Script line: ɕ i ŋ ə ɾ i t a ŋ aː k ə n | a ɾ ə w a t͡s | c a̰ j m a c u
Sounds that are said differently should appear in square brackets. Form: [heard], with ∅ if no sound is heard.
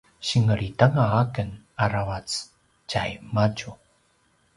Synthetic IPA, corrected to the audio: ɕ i ŋ ə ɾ i t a ŋ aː k ə n | a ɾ [a] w a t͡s | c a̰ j m a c u